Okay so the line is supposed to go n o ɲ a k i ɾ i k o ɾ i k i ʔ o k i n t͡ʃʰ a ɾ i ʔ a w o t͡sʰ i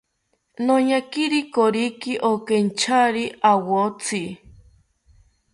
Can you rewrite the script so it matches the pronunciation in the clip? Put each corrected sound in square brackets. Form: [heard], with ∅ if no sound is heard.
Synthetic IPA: n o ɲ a k i ɾ i k o ɾ i k i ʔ o k [e] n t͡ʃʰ a ɾ i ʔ a w o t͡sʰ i

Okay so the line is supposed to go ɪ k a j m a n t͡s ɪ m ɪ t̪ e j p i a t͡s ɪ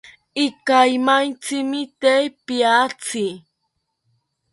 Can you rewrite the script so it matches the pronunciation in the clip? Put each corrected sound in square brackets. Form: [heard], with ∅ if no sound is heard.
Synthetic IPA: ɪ k a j m a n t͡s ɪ m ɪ t̪ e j p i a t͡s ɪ

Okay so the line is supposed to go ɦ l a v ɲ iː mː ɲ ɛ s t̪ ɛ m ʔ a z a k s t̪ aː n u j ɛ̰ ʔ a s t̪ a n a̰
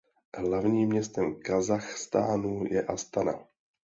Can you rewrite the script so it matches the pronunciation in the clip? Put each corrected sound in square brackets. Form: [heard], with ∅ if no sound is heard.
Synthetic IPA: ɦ l a v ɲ iː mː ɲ ɛ s t̪ ɛ m [k] a z a [x] s t̪ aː n u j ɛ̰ ʔ a s t̪ a n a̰

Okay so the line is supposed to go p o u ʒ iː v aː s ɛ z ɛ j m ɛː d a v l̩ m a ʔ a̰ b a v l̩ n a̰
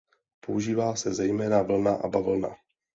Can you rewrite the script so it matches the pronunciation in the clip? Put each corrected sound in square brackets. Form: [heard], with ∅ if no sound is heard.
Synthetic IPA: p o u ʒ iː v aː s ɛ z ɛ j m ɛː [n] a v l̩ [n] a ʔ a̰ b a v l̩ n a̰

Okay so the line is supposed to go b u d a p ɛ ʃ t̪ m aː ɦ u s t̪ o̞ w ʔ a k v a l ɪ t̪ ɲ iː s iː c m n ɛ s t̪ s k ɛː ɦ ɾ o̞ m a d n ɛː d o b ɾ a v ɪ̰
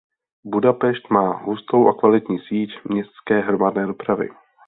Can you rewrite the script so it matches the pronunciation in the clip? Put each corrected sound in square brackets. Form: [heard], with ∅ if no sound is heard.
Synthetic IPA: b u d a p ɛ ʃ t̪ m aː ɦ u s t̪ o̞ w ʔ a k v a l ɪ t̪ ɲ iː s iː c m [ɲ] ɛ s t̪ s k ɛː ɦ ɾ o̞ m a d n ɛː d o [p] ɾ a v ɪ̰

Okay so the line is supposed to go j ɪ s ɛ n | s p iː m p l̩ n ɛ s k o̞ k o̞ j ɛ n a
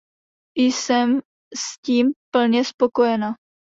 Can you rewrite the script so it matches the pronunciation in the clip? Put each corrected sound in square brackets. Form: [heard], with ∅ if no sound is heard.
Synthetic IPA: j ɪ s ɛ [m] | s [c] iː m p l̩ [ɲ] ɛ s [p] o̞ k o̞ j ɛ n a

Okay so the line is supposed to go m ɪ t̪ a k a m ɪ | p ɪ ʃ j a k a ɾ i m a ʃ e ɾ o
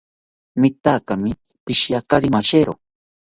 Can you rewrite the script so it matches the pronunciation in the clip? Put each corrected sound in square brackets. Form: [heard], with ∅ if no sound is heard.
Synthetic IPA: m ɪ t̪ a k a m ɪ | p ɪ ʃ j a k a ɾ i m a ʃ e ɾ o

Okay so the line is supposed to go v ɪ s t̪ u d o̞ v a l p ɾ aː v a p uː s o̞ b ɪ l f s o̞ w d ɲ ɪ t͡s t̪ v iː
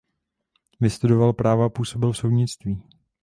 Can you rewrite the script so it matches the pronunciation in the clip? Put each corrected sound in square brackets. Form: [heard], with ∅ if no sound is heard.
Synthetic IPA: v ɪ s t̪ u d o̞ v a l p ɾ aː v a p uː s o̞ b ɪ l f s o̞ w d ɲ ɪ t͡s t̪ v iː

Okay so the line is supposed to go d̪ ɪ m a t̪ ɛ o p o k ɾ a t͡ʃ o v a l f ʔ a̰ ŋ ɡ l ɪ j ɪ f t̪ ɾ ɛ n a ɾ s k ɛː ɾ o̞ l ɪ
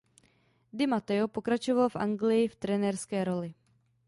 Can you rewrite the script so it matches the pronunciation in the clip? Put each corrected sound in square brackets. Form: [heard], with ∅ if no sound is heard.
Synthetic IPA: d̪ ɪ m a t̪ ɛ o p o k ɾ a t͡ʃ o v a l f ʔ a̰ ŋ ɡ l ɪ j ɪ f t̪ ɾ ɛ n [ɛ] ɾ s k ɛː ɾ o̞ l ɪ

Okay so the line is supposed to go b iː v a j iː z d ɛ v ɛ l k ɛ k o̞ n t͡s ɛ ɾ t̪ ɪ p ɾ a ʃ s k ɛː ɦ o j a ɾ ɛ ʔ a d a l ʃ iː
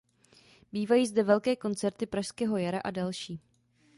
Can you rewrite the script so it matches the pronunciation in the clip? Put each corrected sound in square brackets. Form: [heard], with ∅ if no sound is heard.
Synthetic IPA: b iː v a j iː z d ɛ v ɛ l k [ɛː] k o̞ n t͡s ɛ ɾ t̪ ɪ p ɾ a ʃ s k ɛː ɦ o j a ɾ [a] ʔ a d a l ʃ iː

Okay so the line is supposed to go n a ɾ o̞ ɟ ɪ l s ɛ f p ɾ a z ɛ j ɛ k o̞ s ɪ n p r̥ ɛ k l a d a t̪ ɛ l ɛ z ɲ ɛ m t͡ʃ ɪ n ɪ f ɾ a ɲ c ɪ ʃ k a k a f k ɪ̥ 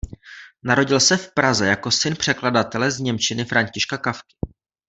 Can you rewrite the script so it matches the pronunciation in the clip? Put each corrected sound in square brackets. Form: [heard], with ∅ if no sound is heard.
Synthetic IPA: n a ɾ o̞ ɟ ɪ l s ɛ f p ɾ a z ɛ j [a] k o̞ s ɪ n p r̥ ɛ k l a d a t̪ ɛ l ɛ z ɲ ɛ m t͡ʃ ɪ n ɪ f ɾ a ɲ c ɪ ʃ k a k a f k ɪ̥

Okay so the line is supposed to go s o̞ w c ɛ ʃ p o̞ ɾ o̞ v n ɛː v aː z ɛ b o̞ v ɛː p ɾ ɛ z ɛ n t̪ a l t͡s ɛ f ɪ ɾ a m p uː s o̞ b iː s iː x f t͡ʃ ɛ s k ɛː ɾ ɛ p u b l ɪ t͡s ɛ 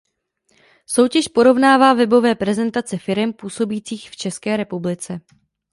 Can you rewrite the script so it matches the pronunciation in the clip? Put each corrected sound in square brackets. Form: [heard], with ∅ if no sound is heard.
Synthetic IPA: s o̞ w c ɛ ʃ p o̞ ɾ o̞ v n [aː] v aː [v] ɛ b o̞ v ɛː p ɾ ɛ z ɛ n t̪ a [∅] t͡s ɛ f ɪ ɾ [ɛ] m p uː s o̞ b iː [t͡s] iː x f t͡ʃ ɛ s k ɛː ɾ ɛ p u b l ɪ t͡s ɛ

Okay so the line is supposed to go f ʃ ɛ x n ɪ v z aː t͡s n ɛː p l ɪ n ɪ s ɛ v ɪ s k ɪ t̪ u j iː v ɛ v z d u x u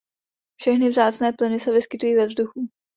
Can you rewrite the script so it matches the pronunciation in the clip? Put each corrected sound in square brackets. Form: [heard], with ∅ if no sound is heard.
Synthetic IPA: f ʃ ɛ x n ɪ v z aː t͡s n ɛː p l ɪ n ɪ s ɛ v ɪ s k ɪ t̪ u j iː v ɛ v z d u x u

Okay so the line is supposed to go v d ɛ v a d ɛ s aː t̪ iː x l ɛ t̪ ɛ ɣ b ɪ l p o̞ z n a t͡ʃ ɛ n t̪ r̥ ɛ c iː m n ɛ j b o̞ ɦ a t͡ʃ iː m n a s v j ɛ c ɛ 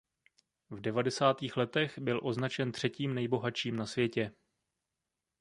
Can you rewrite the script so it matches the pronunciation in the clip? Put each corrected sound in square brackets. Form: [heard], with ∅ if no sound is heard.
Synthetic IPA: v d ɛ v a d ɛ s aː t̪ iː x l ɛ t̪ ɛ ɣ b ɪ l [ʔ] o̞ z n a t͡ʃ ɛ n t̪ r̥ ɛ c iː m n ɛ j b o̞ ɦ a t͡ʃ iː m n a s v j ɛ c ɛ

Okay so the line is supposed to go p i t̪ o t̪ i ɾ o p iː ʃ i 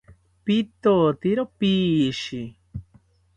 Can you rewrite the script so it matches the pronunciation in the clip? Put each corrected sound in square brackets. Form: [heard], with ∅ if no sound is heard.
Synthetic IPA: p i t̪ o t̪ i ɾ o p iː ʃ i

